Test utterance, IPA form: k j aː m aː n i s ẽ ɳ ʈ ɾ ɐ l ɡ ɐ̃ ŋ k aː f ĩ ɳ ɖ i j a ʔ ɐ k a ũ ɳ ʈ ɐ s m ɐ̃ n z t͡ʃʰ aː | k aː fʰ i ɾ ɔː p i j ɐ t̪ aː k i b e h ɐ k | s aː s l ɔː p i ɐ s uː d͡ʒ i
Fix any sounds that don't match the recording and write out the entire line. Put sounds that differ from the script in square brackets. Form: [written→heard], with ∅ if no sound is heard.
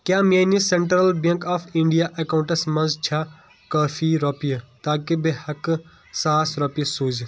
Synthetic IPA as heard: k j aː m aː n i s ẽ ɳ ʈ ɾ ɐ l [ɡ→b] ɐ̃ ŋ k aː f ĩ ɳ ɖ i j a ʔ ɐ k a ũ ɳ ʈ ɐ s m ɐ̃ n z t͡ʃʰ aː | k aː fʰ i ɾ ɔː p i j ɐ t̪ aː k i b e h ɐ k | s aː s [l→ɾ] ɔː p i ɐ s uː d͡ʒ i

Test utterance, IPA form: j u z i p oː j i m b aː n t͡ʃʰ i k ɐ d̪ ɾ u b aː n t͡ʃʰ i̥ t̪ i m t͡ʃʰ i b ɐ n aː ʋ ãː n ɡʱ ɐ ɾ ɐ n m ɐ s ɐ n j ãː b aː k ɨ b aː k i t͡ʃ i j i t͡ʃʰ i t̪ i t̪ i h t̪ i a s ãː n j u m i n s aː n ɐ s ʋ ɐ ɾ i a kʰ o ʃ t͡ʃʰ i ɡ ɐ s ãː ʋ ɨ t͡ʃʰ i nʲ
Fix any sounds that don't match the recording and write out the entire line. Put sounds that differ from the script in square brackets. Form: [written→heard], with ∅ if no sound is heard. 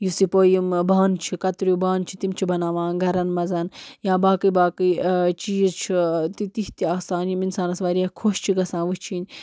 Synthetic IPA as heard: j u [z→s] i p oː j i m b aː n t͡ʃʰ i k ɐ [d̪→t̪] ɾ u b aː n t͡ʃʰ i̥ t̪ i m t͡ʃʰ i b ɐ n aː ʋ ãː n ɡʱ ɐ ɾ ɐ n m ɐ [s→z] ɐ n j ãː b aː k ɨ b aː k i t͡ʃ i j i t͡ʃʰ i t̪ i t̪ i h t̪ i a s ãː n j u m i n s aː n ɐ s ʋ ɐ ɾ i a kʰ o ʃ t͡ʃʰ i ɡ ɐ s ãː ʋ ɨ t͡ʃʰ i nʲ

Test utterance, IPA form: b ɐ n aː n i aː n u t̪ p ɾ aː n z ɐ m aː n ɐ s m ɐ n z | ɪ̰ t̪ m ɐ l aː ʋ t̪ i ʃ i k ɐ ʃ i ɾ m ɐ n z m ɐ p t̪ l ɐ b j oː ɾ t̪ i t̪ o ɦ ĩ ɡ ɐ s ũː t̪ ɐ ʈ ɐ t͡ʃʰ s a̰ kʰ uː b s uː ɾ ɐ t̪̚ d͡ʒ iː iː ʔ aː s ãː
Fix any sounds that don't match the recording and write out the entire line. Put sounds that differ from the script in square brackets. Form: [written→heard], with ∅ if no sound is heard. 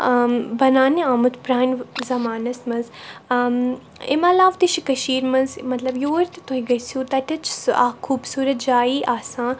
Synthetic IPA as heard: b ɐ n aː n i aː [n→m] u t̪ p ɾ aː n z ɐ m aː n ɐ s m ɐ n z | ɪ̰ [t̪→∅] m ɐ l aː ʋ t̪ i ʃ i k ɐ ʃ [i→iː] ɾ m ɐ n z m ɐ [p→∅] t̪ l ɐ b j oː ɾ t̪ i t̪ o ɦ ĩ ɡ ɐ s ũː t̪ ɐ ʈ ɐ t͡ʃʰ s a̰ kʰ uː b s uː ɾ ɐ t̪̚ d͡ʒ [iː→aː] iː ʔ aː s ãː

